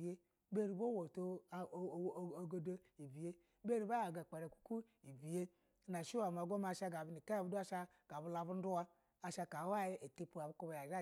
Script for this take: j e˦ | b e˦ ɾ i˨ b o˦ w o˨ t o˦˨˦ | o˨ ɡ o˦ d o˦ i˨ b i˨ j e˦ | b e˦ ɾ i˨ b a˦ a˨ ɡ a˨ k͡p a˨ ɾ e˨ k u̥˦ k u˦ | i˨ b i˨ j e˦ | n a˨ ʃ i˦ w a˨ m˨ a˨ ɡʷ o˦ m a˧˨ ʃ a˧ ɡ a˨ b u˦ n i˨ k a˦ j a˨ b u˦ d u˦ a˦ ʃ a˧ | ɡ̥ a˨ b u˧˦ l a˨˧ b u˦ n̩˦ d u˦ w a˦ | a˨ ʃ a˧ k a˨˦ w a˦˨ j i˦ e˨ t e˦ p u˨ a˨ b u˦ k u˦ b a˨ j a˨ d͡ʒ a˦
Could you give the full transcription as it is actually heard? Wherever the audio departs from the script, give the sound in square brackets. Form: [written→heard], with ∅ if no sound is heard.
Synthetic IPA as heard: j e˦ | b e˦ ɾ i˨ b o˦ w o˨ t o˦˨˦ | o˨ ɡ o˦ d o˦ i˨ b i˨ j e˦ | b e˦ ɾ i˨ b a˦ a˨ ɡ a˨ k͡p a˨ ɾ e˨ k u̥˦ k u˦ | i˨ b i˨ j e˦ | n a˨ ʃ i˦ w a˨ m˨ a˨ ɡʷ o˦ m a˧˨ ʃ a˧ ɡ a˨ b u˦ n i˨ k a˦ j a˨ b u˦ d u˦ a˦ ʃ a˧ | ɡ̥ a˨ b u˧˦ l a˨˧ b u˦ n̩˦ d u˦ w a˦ | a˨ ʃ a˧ k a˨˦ w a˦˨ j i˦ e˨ t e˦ p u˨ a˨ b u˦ k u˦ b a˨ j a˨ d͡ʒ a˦